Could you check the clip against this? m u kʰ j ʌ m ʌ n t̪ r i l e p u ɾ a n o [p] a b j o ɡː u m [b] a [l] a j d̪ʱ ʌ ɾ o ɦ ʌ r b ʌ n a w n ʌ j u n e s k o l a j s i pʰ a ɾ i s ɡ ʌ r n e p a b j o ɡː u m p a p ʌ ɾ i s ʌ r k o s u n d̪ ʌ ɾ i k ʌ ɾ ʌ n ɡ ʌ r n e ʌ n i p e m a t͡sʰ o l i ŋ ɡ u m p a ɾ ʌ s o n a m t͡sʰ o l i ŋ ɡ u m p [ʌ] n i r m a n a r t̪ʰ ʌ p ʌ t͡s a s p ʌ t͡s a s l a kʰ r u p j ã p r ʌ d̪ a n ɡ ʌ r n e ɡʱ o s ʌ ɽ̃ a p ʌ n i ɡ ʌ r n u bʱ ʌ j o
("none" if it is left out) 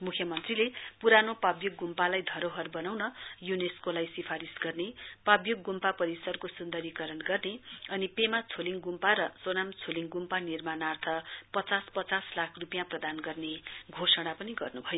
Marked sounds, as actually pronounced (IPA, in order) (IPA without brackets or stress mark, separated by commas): p, p, l, a